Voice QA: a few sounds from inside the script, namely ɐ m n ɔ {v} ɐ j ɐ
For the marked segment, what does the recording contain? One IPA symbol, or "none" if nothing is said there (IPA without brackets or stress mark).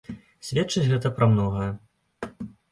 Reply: ɣ